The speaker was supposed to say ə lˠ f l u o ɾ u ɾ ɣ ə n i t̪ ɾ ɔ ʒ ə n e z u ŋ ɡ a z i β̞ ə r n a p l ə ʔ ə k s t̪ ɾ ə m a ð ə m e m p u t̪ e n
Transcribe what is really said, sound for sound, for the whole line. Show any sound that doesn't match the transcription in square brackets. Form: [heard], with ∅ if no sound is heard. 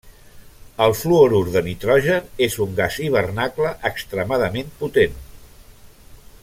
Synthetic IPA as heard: ə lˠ f l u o ɾ u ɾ [ð] ə n i t̪ ɾ ɔ ʒ ə n e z u ŋ ɡ a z i β̞ ə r n a [k] l ə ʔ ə k s t̪ ɾ ə m a ð ə m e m p u t̪ e n

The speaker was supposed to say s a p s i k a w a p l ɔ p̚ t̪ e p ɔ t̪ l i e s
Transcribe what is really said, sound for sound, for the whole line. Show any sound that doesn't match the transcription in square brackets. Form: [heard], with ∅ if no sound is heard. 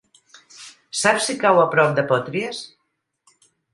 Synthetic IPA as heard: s a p s i k a w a p [ɾ] ɔ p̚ [d̪] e p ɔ t̪ [ɾ] i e s

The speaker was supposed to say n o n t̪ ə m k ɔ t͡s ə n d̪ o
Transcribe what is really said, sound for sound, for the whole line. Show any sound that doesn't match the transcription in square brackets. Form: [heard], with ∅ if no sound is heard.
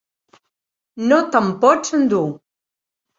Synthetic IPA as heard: n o [∅] t̪ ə m [p] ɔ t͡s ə n d̪ [u]

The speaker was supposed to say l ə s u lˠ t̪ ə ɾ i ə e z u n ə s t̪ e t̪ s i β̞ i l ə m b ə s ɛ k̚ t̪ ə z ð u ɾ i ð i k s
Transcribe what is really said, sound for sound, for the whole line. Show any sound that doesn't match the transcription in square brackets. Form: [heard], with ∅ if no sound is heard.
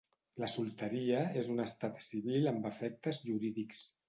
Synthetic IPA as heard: l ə s u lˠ t̪ ə ɾ i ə e z u n ə s t̪ [a] t̪ s i β̞ i l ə m b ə [f] ɛ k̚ t̪ ə z [ʒ] u ɾ i ð i k s

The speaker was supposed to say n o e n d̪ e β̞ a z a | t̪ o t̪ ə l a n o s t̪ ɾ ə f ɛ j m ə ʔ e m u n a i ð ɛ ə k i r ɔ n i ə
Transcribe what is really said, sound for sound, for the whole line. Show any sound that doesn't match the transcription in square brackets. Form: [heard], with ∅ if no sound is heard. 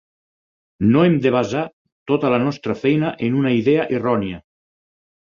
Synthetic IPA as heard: n o e [m] d̪ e β̞ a z a | t̪ o t̪ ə l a n [ɔ] s t̪ ɾ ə f ɛ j [n] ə ʔ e [n] u n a i ð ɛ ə [ʔ] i r ɔ n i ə

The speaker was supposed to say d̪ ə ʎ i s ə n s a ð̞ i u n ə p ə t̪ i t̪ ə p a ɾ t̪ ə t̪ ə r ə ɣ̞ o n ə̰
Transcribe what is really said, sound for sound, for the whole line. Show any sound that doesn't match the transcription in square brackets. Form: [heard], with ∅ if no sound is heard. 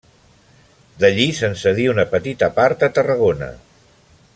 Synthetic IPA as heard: d̪ ə ʎ i s ə n s [ə] ð̞ i u n ə p ə t̪ i t̪ ə p a ɾ t̪ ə t̪ ə r ə ɣ̞ o n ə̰

